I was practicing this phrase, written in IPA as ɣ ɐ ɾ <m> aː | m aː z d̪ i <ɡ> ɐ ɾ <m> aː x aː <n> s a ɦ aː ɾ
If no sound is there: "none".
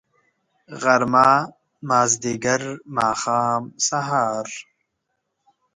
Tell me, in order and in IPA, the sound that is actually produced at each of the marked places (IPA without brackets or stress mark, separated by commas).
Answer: m, ɡ, m, m